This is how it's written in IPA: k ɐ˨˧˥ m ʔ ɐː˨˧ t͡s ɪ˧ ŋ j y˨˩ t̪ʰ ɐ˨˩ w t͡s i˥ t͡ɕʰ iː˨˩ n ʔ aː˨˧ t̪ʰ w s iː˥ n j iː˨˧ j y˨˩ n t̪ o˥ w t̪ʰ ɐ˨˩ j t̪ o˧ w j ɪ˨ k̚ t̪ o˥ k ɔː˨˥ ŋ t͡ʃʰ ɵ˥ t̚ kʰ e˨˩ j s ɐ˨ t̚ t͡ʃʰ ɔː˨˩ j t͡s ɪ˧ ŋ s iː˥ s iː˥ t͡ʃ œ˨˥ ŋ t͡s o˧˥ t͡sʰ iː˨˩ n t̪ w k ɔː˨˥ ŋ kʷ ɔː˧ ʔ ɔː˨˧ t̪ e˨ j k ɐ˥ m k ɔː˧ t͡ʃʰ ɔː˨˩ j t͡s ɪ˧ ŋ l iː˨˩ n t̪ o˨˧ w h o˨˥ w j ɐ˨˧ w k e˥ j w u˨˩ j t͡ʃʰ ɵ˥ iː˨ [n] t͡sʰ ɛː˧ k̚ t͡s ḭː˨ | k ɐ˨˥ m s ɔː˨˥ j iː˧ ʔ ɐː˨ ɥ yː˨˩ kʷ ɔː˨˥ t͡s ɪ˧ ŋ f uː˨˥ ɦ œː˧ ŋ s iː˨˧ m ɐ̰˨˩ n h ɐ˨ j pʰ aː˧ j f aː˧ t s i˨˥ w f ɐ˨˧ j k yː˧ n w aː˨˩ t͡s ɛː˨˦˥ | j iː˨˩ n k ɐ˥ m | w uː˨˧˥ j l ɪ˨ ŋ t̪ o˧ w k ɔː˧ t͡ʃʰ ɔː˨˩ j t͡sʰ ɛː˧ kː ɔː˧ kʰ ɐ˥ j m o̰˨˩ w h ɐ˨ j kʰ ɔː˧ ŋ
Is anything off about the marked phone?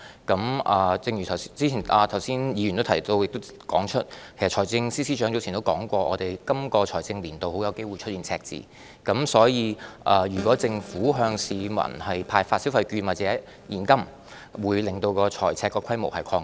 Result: no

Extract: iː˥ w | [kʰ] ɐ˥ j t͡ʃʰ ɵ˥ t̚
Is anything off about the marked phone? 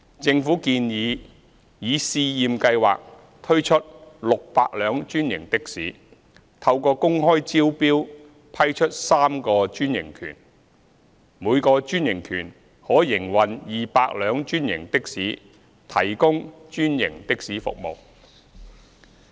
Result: yes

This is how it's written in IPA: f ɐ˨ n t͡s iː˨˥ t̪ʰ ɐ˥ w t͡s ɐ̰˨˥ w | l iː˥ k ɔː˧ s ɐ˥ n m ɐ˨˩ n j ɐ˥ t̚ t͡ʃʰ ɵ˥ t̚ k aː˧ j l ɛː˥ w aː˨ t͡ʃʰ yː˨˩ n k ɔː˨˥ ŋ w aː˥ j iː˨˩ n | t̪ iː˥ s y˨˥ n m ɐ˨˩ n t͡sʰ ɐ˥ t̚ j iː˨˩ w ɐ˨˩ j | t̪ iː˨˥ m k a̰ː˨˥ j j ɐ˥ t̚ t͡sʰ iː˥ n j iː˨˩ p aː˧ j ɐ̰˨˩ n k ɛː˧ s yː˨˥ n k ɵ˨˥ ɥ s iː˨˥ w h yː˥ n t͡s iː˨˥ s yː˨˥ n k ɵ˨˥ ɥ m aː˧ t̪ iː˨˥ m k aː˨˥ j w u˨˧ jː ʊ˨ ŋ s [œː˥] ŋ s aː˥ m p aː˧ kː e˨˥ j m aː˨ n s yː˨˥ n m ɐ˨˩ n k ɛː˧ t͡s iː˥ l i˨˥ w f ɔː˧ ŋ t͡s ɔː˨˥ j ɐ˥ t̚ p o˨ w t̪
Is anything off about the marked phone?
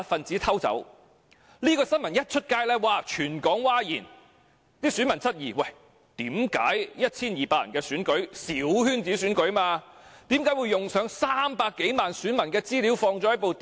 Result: yes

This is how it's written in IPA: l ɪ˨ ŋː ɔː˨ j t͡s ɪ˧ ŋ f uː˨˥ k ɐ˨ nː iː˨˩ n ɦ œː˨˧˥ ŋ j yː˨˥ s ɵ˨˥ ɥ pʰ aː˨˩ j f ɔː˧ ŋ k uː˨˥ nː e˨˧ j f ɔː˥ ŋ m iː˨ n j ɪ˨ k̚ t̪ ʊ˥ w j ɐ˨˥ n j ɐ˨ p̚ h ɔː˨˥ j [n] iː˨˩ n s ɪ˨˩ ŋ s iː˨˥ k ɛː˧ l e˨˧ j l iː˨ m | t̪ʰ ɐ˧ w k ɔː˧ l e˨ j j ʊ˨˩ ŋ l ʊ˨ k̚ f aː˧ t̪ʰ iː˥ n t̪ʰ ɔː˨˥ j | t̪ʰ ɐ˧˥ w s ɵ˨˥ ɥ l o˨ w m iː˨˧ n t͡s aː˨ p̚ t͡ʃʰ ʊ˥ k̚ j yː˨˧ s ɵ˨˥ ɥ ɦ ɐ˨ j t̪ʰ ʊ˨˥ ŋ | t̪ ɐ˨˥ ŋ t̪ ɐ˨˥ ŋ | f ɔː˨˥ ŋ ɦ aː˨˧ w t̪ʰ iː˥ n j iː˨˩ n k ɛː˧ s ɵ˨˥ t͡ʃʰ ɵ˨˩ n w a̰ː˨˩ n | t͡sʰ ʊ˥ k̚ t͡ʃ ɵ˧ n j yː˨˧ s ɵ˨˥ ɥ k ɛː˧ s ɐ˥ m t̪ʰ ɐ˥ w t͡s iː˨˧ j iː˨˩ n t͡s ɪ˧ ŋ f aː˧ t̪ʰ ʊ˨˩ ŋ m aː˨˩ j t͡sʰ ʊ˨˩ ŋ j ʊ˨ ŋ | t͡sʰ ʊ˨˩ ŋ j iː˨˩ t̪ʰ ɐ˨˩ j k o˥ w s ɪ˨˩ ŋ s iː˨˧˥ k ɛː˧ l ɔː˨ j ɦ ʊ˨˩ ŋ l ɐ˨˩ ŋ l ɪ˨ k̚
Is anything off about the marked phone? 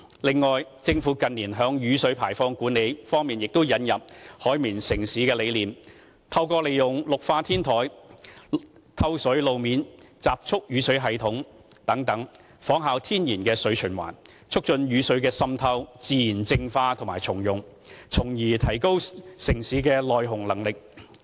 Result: yes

